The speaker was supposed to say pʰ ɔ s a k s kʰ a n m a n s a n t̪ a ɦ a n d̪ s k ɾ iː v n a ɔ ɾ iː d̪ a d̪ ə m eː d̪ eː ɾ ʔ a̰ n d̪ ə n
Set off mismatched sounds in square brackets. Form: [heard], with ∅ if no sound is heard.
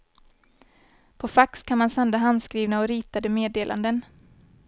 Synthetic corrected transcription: pʰ ɔ [f] a k s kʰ a n m a n s a n [d̪] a ɦ a n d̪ s k ɾ iː v n a ɔ ɾ iː [t̪] a d̪ ə m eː d̪ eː [l] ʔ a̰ n d̪ ə n